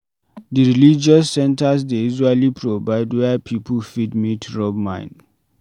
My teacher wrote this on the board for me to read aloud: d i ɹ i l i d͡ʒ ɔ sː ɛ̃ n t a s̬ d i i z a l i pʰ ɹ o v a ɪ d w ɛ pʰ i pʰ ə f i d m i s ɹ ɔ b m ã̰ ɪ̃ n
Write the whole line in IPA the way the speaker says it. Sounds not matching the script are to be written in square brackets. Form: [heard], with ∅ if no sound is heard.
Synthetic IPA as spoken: d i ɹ i l i d͡ʒ ɔ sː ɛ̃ n t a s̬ d [e] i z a l i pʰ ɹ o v a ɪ d w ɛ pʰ i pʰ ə f i d m i [t] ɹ ɔ b m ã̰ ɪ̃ n

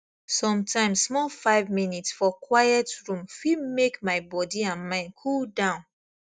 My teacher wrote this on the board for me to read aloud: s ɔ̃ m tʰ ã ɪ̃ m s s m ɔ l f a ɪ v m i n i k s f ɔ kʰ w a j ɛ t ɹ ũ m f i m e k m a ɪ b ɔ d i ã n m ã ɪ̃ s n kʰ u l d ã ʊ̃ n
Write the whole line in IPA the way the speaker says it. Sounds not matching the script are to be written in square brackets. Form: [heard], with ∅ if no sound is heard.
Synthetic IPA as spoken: s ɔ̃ m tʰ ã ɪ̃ m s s m ɔ l f a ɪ v m i n i [t] s f ɔ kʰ w a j ɛ t ɹ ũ m f i m e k m a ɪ b ɔ d i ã n m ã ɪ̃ [∅] n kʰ u l d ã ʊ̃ n

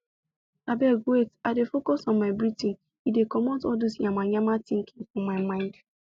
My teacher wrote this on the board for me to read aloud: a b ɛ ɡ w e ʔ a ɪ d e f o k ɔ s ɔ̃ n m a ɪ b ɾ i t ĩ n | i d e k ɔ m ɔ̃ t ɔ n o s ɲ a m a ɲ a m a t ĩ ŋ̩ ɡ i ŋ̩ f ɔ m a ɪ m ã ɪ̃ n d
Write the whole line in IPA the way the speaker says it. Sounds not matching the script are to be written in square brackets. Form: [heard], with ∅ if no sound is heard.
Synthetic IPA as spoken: a b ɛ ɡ w e [t] a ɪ d e f o k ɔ s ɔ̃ n m a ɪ b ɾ i t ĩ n | i d e k ɔ m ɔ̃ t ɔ [d] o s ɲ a m a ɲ a m a t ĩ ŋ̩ [k] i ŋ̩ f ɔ m a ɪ m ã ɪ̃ n d

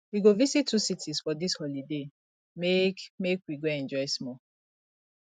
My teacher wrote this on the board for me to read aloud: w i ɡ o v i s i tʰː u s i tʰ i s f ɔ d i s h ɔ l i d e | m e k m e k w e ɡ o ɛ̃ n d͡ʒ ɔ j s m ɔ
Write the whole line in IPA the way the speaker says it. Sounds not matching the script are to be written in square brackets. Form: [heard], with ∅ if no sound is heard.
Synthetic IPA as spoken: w i ɡ o v i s i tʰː u s i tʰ i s f ɔ d i s h ɔ l i d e | m e k m e k w [i] ɡ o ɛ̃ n d͡ʒ ɔ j s m ɔ

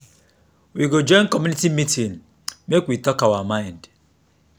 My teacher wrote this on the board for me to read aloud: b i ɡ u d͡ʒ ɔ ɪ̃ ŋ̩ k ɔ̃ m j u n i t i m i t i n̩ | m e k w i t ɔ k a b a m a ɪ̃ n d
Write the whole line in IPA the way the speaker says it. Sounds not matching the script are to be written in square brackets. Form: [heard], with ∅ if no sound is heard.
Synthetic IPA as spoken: [w] i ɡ [o] d͡ʒ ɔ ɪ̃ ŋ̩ k [ɔ] m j u n i t i m i t i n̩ | m e k w i t ɔ k a [w] a m a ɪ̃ n d

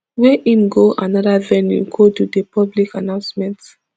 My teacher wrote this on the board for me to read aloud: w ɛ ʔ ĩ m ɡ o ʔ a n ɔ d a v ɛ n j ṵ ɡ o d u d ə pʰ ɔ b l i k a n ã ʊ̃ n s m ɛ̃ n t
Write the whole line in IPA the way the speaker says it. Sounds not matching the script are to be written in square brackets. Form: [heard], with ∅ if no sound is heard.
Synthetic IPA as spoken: w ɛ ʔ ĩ m ɡ o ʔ a n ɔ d a v ɛ n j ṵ ɡ o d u d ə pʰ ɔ b l i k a n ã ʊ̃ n s m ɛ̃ n t

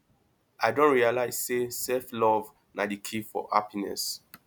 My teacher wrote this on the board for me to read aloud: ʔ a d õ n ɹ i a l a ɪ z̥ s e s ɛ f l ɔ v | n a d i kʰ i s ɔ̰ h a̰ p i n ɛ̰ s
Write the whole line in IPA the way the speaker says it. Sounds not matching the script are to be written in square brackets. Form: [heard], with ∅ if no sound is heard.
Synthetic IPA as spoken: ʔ a d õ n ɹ i a l a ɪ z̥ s e s ɛ f l ɔ v | n a d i kʰ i [f] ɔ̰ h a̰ p i n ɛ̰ s

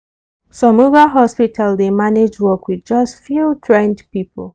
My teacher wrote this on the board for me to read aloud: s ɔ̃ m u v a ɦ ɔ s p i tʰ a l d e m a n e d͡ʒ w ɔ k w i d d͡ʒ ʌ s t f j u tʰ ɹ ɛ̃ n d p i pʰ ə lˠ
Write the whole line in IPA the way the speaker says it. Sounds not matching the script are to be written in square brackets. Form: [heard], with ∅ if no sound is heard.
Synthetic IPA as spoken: s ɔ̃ m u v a ɦ ɔ s p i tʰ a l d e m a n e d͡ʒ w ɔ k w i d d͡ʒ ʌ s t f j u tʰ ɹ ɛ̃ n d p i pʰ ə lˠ

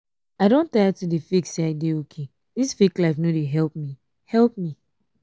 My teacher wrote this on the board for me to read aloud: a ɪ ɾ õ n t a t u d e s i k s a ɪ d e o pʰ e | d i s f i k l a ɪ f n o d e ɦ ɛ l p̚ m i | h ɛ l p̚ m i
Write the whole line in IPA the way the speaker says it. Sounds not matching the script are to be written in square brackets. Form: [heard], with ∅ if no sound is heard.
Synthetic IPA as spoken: a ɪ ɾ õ n t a t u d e [f] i k s a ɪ d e o [kʰ] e | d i s f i k l a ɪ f n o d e ɦ ɛ l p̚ m i | h ɛ l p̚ m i

